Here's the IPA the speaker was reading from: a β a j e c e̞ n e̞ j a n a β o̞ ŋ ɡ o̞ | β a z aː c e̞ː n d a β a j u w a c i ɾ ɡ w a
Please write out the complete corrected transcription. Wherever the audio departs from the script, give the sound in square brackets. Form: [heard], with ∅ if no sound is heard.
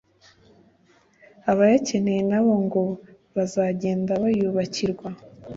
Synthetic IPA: a β a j [a] c e̞ n e̞ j [e] n a β o̞ ŋ ɡ o̞ | β a z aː [ɟ] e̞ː n d a β a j u [β] a c i ɾ ɡ w a